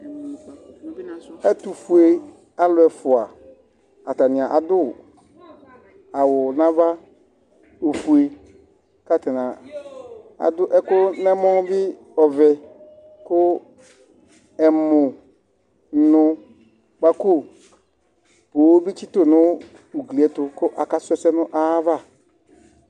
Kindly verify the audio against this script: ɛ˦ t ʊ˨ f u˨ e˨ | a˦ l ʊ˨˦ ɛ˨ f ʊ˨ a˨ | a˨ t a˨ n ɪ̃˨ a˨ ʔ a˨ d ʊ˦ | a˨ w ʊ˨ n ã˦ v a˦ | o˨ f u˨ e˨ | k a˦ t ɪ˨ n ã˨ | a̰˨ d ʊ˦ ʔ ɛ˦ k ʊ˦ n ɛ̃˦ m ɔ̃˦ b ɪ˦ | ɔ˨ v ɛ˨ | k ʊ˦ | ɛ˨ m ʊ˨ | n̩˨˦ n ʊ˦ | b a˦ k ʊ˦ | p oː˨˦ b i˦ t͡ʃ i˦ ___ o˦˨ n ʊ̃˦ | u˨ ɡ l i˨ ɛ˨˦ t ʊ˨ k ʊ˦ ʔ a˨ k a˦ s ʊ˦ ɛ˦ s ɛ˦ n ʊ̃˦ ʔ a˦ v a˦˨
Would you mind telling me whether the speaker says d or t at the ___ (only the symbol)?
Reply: t